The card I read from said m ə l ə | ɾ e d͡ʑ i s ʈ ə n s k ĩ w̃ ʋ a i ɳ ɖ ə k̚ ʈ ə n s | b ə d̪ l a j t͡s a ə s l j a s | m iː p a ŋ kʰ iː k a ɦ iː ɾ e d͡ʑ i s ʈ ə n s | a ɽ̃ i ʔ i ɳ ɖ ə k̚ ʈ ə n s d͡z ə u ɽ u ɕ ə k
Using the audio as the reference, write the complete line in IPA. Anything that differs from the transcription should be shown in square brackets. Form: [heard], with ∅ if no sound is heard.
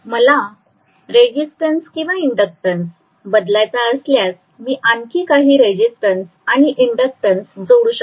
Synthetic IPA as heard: m ə l [a] | ɾ e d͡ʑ i s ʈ ə n s k ĩ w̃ ʋ a i ɳ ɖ ə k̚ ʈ ə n s | b ə d̪ l a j t͡s a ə s l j a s | m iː [ʔ] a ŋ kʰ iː k a ɦ iː ɾ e d͡ʑ i s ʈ ə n s | a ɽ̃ i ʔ i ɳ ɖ ə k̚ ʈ ə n s d͡z ə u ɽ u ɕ ə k